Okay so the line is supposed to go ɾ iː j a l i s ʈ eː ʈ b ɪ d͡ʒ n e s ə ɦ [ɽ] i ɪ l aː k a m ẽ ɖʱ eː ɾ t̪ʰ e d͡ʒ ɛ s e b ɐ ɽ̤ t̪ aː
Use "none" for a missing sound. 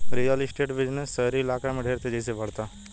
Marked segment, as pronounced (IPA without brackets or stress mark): ɾ